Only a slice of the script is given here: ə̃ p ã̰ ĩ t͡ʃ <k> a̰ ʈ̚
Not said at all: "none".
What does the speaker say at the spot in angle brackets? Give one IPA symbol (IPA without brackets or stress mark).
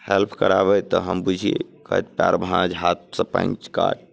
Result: k